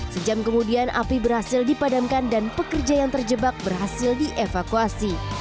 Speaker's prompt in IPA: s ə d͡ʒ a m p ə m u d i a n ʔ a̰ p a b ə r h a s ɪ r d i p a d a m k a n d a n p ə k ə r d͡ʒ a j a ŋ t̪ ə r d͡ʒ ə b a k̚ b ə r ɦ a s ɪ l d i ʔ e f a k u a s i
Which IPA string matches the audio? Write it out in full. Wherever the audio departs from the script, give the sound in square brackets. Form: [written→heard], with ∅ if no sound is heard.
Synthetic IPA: s ə d͡ʒ a m [p→k] ə m u d i a n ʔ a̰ p [a→i] b ə r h a s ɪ [r→l] d i p a d a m k a n d a n p ə k ə r d͡ʒ a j a ŋ t̪ ə r d͡ʒ ə b a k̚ b ə r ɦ a s ɪ l d i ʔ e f a k u a s i